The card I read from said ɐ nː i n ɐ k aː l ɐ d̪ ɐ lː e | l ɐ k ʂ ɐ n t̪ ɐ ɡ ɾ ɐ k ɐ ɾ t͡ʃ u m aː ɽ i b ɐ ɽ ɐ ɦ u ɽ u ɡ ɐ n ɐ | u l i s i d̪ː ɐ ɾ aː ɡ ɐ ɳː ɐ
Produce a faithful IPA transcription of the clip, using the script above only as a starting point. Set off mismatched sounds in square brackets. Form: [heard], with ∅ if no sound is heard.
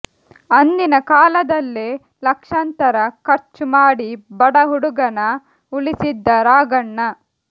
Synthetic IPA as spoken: ɐ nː i n ɐ k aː l ɐ d̪ ɐ lː e | l ɐ k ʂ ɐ n t̪ ɐ [∅] ɾ ɐ k ɐ ɾ t͡ʃ u m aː ɽ i b ɐ ɽ ɐ ɦ u ɽ u ɡ ɐ n ɐ | u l i s i d̪ː ɐ ɾ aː ɡ ɐ ɳː ɐ